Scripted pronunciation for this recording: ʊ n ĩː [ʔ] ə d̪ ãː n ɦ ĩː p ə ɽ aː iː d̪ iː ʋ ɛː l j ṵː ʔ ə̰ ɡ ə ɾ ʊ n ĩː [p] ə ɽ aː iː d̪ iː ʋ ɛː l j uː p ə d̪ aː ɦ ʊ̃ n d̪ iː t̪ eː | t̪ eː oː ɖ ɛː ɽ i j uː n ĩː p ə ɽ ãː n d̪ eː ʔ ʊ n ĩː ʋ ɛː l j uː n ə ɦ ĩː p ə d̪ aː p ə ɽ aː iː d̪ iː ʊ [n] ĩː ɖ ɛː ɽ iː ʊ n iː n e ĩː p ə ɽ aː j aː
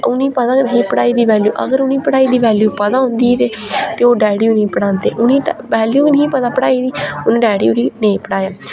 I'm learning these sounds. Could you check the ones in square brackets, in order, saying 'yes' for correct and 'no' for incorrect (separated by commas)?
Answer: no, yes, yes